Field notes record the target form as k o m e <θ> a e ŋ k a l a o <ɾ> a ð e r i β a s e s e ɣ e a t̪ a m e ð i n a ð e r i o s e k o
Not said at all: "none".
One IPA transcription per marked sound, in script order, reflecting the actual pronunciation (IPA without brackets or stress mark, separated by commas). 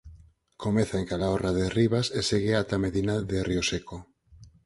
θ, r